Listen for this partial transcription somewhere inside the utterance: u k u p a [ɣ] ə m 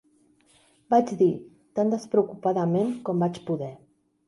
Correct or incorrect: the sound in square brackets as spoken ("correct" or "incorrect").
incorrect